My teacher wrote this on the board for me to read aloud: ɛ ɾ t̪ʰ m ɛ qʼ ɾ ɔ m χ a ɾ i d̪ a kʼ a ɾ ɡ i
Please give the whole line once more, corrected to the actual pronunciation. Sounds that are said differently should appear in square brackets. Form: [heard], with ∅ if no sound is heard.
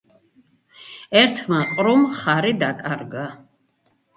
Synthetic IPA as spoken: ɛ ɾ t̪ʰ m [a] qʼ ɾ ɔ m χ a ɾ i d̪ a kʼ a ɾ ɡ [a]